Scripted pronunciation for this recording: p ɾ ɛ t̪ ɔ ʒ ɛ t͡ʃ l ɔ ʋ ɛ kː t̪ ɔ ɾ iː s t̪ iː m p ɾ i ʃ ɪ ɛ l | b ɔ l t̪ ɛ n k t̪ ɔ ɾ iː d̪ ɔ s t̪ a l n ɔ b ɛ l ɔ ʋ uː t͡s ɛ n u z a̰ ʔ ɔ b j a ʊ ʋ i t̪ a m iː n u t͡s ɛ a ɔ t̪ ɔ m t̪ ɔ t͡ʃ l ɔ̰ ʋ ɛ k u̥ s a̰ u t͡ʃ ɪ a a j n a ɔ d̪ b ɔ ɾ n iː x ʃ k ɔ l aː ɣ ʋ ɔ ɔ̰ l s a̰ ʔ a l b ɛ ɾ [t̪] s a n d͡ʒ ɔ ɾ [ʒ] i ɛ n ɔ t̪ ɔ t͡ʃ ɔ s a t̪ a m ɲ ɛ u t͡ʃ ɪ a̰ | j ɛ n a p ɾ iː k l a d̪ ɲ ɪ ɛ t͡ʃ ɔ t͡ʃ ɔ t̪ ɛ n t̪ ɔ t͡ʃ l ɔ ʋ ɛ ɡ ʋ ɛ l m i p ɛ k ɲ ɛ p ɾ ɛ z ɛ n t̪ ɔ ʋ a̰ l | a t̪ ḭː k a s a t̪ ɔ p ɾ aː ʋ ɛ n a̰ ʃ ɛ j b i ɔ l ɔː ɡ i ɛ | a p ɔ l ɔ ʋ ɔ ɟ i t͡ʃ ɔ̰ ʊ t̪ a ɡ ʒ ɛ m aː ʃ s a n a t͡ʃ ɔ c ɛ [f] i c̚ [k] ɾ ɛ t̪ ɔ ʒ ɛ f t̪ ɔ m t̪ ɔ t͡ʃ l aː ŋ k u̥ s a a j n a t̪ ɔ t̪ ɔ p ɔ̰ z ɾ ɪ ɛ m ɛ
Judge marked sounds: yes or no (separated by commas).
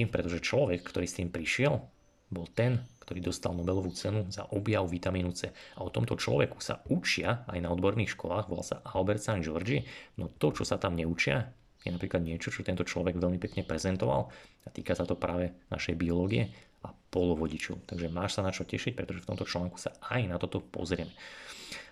yes, no, no, no